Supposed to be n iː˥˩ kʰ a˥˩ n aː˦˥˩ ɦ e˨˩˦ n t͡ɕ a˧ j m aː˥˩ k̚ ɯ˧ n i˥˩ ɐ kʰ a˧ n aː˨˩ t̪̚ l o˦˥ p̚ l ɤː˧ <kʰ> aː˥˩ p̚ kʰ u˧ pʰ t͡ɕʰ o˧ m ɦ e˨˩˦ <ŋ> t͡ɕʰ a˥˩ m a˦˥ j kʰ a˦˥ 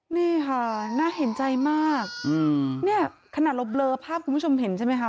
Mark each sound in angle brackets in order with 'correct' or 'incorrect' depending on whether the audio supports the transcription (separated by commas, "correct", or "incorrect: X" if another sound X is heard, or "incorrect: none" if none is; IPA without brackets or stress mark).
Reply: incorrect: pʰ, incorrect: n